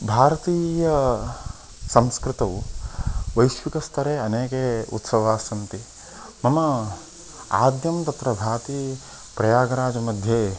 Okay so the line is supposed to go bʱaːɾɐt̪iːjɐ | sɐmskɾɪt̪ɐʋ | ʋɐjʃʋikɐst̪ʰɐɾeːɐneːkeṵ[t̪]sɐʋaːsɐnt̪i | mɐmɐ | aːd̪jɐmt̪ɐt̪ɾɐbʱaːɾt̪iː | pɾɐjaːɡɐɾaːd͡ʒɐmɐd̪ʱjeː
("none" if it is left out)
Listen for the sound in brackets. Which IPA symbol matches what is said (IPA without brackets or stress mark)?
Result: t̪